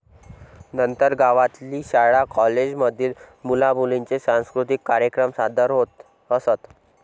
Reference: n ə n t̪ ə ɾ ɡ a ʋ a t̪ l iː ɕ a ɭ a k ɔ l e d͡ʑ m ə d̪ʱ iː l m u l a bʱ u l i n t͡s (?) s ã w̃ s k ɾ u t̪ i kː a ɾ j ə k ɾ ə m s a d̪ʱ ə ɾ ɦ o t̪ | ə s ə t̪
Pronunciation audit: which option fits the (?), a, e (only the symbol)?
e